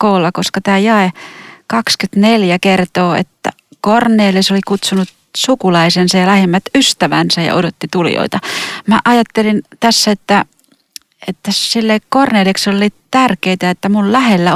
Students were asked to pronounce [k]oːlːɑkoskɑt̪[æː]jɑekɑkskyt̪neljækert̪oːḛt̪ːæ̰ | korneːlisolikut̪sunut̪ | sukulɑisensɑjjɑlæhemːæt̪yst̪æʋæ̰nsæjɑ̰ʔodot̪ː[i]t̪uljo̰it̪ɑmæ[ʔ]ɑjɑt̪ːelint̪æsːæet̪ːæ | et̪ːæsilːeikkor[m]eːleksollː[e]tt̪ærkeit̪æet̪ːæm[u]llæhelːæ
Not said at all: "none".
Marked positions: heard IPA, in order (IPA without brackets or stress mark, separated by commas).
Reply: k, æː, i, ʔ, n, i, u